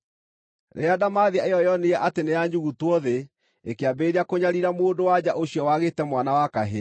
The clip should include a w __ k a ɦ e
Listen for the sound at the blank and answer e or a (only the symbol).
a